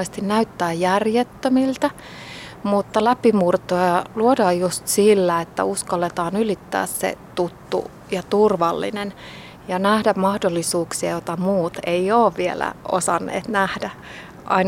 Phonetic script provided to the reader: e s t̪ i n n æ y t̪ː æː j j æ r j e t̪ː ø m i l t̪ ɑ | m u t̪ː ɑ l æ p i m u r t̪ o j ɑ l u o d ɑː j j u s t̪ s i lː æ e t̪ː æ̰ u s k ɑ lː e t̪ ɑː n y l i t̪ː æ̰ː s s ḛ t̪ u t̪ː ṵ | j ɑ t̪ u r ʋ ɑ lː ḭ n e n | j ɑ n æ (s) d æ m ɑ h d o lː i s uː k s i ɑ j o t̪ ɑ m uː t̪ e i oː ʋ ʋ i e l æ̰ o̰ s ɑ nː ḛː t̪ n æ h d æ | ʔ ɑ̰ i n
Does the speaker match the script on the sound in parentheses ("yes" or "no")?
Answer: no